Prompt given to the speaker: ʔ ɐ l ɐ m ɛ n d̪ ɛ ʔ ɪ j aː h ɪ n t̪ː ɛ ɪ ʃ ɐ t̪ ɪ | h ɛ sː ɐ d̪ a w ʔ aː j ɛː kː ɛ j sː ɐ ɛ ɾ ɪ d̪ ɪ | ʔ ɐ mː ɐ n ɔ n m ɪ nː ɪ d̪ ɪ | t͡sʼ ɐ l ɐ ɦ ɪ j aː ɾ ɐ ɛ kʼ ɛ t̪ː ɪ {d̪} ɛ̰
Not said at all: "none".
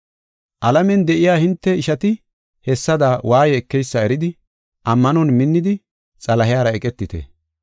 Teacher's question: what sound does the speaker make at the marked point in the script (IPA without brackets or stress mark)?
t̪